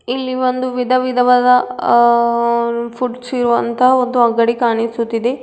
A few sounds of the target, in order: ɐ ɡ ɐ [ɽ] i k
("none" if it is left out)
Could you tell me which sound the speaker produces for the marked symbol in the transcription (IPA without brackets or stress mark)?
ɽ